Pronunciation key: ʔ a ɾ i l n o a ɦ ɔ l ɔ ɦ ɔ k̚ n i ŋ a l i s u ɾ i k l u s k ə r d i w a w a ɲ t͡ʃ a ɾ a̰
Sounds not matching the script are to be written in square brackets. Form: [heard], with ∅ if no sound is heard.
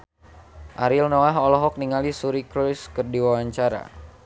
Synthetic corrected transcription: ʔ a ɾ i l n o a ɦ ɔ l ɔ ɦ ɔ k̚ n i ŋ a l i s u ɾ i k [ɾ] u s k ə r d i w a w a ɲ t͡ʃ a ɾ a̰

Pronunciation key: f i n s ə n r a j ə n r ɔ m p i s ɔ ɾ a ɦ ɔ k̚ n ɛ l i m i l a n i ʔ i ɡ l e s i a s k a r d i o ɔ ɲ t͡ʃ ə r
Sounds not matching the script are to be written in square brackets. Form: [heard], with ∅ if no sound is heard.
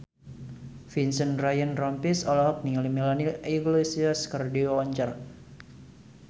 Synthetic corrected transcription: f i n s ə n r a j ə n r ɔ m p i s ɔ [l] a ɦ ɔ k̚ n [i] l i m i l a n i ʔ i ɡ l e s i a s k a r d i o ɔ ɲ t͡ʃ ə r

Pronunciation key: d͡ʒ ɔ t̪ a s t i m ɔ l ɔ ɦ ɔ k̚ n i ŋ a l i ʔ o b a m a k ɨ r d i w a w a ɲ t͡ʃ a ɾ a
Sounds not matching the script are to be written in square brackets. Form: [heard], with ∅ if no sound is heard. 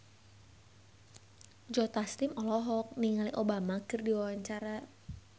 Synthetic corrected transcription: d͡ʒ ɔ t̪ a s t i m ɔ l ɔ ɦ ɔ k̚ n i ŋ a l i ʔ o b a m a k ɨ r d i w a w a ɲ t͡ʃ a ɾ a

